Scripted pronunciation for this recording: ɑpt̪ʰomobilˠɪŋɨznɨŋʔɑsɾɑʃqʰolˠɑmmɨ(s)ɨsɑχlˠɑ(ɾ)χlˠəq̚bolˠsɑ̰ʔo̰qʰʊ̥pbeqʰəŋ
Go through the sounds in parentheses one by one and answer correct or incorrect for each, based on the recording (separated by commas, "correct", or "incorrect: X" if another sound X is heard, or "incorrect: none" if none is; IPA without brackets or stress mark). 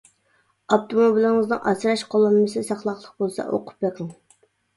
correct, incorrect: none